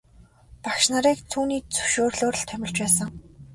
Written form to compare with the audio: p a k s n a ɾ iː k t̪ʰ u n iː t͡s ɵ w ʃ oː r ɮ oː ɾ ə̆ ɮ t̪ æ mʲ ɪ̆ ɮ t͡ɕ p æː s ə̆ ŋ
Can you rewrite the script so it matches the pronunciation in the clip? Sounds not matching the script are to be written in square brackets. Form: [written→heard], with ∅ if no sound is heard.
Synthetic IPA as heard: p a k [s→ʃ] n a ɾ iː k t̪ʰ [u→uː] n iː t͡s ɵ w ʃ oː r ɮ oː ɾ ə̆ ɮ [t̪→t̪ʰ] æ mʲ ɪ̆ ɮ t͡ɕ p æː s ə̆ ŋ